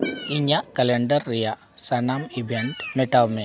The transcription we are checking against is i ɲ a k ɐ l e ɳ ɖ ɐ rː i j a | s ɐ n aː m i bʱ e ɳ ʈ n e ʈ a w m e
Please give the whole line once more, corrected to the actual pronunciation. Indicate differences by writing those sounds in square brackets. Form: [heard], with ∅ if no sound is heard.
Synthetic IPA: i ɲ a k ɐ l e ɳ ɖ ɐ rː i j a | s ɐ n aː m i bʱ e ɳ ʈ [m] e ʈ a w m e